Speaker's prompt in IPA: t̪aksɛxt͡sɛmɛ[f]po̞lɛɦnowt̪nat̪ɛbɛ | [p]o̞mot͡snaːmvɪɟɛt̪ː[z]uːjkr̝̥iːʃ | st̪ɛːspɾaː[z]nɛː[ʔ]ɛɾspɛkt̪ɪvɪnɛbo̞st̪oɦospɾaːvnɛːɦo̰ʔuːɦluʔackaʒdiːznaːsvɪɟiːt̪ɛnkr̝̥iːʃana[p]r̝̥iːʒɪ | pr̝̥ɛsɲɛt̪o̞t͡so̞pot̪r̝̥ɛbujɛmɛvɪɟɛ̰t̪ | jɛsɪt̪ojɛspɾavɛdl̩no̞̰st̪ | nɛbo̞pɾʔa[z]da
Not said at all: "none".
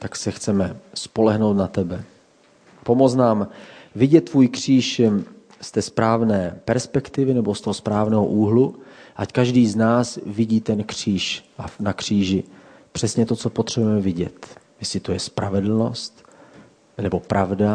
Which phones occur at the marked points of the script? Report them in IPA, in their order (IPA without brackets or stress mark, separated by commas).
s, p, v, v, p, k, v